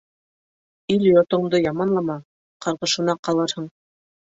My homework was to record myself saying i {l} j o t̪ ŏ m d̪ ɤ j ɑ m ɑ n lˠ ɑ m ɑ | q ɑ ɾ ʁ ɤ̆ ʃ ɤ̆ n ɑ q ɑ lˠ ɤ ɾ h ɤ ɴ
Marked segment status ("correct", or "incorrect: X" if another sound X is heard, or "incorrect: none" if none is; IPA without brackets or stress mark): correct